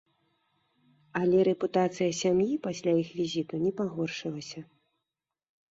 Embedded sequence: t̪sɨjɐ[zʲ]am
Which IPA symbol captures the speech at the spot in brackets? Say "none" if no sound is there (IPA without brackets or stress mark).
sʲ